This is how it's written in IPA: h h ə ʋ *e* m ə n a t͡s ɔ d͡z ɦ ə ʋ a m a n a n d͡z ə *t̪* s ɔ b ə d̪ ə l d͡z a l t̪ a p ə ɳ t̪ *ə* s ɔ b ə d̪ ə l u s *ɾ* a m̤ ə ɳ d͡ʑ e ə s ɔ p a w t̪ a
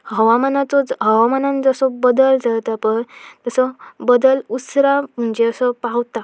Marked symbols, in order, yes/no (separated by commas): no, no, yes, yes